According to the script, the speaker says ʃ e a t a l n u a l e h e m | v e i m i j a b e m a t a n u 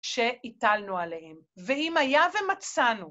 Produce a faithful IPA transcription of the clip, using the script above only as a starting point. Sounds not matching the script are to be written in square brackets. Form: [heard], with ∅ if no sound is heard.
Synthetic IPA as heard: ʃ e [i] t a l n u a l e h e m | v e i m [a] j a [v] e m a [t͡s] a n u

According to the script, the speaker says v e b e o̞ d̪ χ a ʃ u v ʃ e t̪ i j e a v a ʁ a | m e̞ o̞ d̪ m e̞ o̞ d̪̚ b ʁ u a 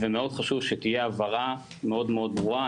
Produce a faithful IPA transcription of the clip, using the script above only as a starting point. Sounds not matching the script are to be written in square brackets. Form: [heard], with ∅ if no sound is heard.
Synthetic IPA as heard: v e [m] e o̞ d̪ χ a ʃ u v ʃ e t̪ i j e a v a ʁ a | m e̞ o̞ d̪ m e̞ o̞ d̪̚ b ʁ u a

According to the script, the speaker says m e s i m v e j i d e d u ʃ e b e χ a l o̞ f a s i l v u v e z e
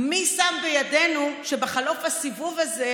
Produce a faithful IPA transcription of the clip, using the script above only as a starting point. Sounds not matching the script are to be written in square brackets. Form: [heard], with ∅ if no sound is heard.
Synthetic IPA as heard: m [i] s [a] m [b] e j [a] d e [n] u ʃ e b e χ a l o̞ f a s i [∅] v u v [a] z e

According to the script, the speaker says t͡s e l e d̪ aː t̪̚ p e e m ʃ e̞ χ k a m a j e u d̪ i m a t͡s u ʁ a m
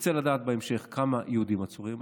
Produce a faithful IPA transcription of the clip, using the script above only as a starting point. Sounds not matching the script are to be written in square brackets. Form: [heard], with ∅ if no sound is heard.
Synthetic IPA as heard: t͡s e l [a] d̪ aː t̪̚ [b] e e m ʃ e̞ χ k a m a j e u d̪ i m a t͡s u ʁ [i] m

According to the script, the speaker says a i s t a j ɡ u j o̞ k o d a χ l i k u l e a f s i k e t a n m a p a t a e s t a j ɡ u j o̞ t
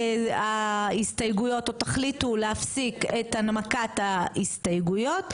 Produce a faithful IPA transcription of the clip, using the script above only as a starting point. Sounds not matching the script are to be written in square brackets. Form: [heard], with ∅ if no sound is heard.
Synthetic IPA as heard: a i s t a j ɡ u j o̞ [t] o [t] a χ l i [t] u l e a f s i k e t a n m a [k] a t a [i] s t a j ɡ u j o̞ t

